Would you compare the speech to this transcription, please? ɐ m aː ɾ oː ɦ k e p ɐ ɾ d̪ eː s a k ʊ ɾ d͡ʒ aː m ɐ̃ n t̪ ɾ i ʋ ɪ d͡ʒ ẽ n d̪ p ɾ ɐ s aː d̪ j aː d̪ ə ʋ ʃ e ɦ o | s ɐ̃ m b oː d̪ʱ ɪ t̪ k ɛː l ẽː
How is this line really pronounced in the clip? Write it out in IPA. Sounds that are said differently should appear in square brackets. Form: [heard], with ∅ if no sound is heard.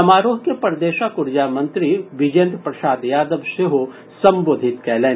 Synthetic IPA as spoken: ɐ m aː ɾ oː ɦ k e p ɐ ɾ d̪ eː [ʃ] a k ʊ ɾ d͡ʒ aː m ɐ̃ n t̪ ɾ i ʋ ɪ d͡ʒ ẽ n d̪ p ɾ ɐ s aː d̪ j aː d̪ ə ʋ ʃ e ɦ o | s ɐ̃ m b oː d̪ʱ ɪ t̪ k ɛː l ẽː